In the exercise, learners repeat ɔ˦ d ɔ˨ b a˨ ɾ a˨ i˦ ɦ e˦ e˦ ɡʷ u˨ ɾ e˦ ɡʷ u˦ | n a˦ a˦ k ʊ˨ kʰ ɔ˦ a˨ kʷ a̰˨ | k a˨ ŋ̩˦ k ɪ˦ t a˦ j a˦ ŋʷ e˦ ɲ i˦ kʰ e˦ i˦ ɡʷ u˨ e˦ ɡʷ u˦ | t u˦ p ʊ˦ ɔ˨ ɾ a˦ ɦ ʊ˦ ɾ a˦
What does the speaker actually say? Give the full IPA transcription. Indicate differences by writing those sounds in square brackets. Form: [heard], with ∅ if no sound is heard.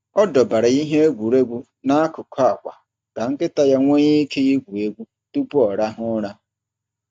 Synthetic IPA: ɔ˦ d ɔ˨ b a˨ ɾ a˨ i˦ ɦ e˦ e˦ ɡʷ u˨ ɾ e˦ ɡʷ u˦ | n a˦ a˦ k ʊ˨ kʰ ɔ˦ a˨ kʷ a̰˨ | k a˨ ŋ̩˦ k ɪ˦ t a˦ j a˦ ŋʷ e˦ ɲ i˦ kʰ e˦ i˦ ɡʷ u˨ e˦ ɡʷ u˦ | t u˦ p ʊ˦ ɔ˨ ɾ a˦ ɦ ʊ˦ ɾ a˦